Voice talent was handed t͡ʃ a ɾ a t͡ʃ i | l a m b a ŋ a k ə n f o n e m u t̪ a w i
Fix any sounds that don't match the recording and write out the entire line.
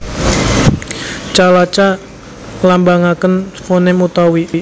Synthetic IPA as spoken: t͡ʃ a l a t͡ʃ a | l a m b a ŋ a k ə n f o n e m u t̪ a w i